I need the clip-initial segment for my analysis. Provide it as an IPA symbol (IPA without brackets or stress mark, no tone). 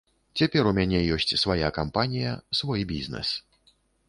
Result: t͡sʲ